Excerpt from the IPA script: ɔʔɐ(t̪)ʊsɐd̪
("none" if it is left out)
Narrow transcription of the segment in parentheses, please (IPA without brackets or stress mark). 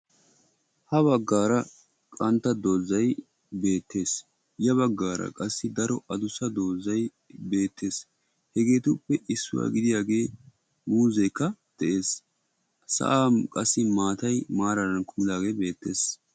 d̪